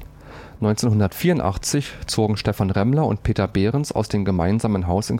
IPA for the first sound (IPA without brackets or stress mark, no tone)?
n